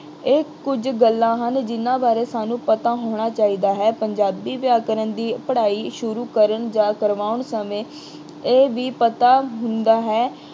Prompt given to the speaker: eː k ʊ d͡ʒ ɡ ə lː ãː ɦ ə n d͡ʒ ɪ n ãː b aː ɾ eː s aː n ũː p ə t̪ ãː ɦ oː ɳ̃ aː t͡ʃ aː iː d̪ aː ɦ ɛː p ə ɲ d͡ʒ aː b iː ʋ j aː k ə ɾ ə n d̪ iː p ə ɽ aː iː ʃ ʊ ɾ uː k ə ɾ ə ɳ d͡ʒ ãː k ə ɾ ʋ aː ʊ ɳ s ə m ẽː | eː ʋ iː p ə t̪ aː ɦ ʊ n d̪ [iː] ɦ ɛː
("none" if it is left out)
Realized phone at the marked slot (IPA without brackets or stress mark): aː